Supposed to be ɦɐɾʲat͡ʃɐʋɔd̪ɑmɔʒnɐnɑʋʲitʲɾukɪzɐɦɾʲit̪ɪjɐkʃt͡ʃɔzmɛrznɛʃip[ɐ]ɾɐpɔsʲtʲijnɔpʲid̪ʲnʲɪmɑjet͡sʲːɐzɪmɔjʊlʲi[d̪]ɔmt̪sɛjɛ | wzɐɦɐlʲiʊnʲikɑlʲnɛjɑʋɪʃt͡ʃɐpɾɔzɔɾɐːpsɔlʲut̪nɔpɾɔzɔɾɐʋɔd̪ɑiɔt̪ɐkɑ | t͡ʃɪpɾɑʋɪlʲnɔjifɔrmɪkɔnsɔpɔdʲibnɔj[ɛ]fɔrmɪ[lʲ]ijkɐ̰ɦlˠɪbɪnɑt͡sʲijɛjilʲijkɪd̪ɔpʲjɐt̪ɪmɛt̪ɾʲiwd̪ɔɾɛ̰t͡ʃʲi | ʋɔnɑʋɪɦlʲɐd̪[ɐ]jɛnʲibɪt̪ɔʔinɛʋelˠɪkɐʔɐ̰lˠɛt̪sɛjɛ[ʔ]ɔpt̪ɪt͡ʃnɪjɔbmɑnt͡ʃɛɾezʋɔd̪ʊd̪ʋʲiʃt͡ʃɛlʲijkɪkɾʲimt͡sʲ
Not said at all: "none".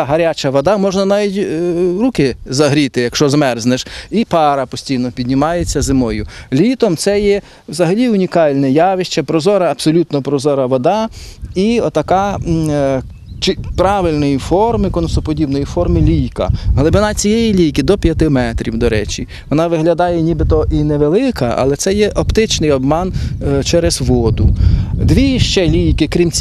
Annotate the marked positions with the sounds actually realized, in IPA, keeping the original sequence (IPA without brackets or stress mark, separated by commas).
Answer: ɑ, t̪, i, lʲ, ɑ, ʔ